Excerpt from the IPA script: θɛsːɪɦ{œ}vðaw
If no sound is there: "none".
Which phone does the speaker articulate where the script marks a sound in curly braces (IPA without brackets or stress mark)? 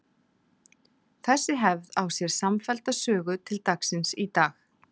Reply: ɛ